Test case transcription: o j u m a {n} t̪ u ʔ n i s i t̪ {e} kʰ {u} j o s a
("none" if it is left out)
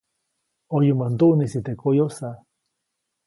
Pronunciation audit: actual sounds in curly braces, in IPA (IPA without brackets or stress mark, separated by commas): n, e, o